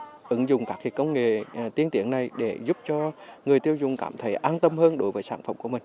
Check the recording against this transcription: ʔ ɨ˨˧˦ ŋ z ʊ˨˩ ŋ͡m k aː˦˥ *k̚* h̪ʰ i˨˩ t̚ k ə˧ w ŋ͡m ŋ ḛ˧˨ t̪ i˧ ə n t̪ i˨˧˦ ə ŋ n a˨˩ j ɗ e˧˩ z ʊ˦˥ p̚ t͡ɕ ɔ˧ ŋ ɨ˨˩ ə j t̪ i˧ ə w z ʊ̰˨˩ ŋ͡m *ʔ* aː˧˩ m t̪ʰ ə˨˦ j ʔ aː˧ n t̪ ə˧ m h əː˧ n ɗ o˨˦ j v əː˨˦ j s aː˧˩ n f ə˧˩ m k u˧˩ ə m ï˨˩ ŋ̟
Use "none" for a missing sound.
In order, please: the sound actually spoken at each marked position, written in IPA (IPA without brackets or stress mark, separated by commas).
k̚, k